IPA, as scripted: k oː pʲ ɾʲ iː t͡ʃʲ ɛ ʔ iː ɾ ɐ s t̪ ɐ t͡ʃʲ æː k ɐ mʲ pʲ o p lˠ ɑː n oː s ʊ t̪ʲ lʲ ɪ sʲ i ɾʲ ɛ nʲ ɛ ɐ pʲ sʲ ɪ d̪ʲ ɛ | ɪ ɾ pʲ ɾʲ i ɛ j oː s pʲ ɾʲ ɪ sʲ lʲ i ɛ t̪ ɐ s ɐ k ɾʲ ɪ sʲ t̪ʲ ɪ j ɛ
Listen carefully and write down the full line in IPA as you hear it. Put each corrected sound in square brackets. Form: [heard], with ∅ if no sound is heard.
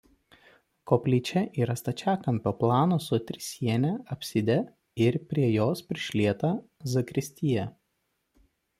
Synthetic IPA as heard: k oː pʲ [lʲ] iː t͡ʃʲ ɛ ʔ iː ɾ ɐ s t̪ ɐ t͡ʃʲ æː k ɐ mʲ pʲ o p lˠ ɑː n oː s ʊ t̪ʲ [ɾʲ] ɪ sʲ i [∅] ɛ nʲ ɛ ɐ pʲ sʲ ɪ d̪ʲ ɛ | ɪ ɾ pʲ ɾʲ i ɛ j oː s pʲ ɾʲ ɪ [ʃʲ] lʲ i ɛ t̪ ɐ [z] ɐ k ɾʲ ɪ sʲ t̪ʲ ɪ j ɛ